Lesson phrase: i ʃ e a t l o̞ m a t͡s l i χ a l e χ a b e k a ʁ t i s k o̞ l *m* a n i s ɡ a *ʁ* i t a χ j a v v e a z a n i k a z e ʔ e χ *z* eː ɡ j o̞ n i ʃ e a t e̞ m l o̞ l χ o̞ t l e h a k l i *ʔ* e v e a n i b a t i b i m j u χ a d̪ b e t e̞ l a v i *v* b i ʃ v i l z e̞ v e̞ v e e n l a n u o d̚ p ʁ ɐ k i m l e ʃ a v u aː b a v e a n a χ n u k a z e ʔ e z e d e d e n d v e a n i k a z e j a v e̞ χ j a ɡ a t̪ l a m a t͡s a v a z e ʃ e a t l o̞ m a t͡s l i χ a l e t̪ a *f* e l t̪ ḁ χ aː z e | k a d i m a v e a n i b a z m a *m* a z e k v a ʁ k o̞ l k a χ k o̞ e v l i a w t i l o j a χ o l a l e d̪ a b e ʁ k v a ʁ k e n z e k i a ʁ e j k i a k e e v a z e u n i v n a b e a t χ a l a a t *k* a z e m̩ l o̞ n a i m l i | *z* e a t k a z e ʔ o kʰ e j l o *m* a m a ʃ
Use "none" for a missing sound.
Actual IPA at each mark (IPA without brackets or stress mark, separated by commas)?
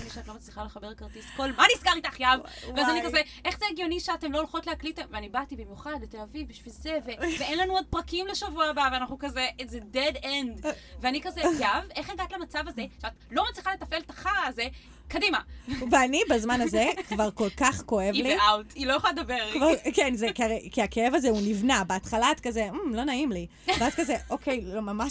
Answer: m, ʁ, z, t, v, f, n, k, v, m